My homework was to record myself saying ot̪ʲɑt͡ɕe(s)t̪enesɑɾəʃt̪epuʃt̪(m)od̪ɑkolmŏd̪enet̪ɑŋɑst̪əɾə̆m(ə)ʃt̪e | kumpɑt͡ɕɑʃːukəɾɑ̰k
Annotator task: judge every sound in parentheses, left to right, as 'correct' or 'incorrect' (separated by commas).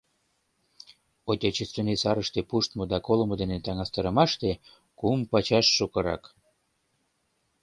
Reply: correct, correct, incorrect